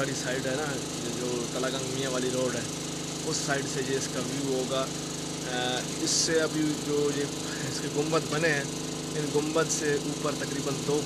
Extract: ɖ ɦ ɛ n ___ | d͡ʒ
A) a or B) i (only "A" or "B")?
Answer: A